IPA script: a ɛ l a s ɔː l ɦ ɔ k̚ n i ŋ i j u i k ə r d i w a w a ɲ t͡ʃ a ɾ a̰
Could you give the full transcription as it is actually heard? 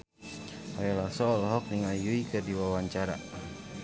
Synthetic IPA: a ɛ l a s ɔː l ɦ ɔ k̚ n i ŋ a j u i k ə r d i w a w a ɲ t͡ʃ a ɾ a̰

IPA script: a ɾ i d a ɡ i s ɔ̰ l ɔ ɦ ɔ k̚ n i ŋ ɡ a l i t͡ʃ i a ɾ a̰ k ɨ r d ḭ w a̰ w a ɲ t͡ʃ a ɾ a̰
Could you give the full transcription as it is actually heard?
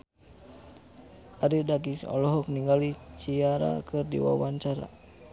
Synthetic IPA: a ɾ i d a ɡ i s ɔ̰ l ɔ ɦ ɔ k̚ n i ŋ ɡ a l i t͡ʃ i a ɾ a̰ k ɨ r d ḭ w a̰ w a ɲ t͡ʃ a ɾ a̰

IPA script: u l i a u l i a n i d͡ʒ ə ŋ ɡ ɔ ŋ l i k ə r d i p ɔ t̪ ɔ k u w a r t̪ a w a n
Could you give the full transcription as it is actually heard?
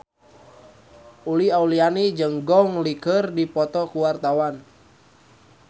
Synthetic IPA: u l i a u l i a n i d͡ʒ ə ŋ ɡ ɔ ŋ l i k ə r d i p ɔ t̪ ɔ k u w a r t̪ a w a n

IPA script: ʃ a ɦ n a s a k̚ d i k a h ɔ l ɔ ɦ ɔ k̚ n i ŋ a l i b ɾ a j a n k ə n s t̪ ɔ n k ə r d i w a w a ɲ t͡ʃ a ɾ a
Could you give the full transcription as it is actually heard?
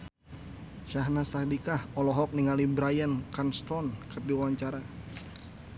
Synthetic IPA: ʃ a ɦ n a s a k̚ d i k a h ɔ l ɔ ɦ ɔ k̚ n i ŋ a l i b ɾ a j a n k a n s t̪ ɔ n k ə r d i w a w a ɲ t͡ʃ a ɾ a

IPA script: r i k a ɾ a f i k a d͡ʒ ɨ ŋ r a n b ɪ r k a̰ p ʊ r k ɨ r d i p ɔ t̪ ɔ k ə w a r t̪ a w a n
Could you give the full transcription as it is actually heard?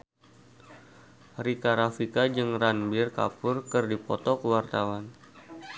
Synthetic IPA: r i k a ɾ a f i k a d͡ʒ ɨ ŋ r a n b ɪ r k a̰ p ʊ r k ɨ r d i p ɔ t̪ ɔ k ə w a r t̪ a w a n

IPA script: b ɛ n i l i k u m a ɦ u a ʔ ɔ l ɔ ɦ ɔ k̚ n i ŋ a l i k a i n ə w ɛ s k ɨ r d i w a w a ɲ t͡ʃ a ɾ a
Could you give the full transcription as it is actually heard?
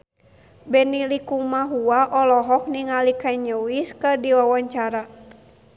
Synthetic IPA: b ɛ n i l i k u m a ɦ u a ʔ ɔ l ɔ ɦ ɔ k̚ n i ŋ a l i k a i ɲ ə w i s k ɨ r d i w a w a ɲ t͡ʃ a ɾ a

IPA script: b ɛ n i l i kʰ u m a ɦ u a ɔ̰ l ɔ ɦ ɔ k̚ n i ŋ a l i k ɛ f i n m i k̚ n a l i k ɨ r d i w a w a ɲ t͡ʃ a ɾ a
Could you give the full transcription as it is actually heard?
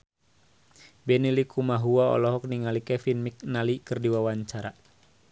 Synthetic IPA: b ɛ n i l i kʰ u m a ɦ u a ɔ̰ l ɔ ɦ ɔ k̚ n i ŋ a l i k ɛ f i n m i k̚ n a l i k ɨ r d i w a w a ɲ t͡ʃ a ɾ a

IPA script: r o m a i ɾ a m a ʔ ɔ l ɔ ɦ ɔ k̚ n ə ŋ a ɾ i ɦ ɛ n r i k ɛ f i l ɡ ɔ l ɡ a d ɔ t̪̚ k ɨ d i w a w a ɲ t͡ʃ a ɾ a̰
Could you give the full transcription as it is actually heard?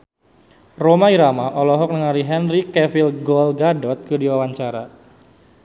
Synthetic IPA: r o m a i ɾ a m a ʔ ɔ l ɔ ɦ ɔ k̚ n ə ŋ a ɾ i ɦ ɛ n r i k ɛ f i l ɡ ɔ l ɡ a d ɔ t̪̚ k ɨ d i w a w a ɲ t͡ʃ a ɾ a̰

